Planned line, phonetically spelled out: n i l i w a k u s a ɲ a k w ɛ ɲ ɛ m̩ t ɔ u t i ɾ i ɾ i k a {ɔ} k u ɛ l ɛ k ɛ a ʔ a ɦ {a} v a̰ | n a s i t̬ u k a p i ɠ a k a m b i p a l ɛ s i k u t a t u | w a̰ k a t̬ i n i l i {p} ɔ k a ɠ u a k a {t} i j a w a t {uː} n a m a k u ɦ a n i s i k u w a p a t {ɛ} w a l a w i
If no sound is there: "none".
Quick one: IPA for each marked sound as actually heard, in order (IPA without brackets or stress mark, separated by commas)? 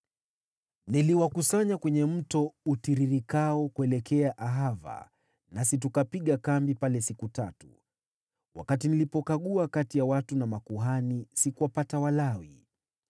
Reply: ɔ, a, p, t, u, a